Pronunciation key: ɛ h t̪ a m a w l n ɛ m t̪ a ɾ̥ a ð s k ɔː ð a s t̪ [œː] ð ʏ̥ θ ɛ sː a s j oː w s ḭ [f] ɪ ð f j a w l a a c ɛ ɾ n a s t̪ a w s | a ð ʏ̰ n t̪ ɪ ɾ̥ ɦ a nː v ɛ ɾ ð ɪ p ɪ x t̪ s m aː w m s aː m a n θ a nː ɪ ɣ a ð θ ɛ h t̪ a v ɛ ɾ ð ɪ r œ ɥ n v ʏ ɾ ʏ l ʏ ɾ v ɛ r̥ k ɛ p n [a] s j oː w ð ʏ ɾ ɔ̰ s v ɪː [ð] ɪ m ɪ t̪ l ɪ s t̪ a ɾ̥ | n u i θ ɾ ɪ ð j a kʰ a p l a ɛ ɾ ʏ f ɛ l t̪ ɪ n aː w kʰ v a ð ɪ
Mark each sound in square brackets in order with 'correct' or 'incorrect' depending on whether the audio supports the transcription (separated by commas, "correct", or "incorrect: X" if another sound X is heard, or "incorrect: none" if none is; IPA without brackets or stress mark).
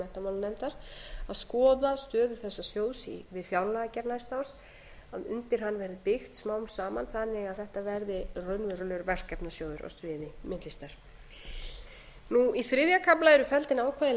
correct, incorrect: v, correct, correct